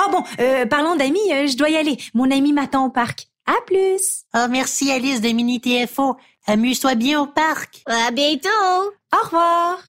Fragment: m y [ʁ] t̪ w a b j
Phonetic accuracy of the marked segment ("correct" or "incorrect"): incorrect